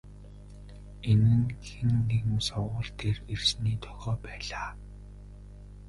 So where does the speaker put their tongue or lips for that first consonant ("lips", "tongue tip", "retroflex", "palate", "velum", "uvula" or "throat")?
tongue tip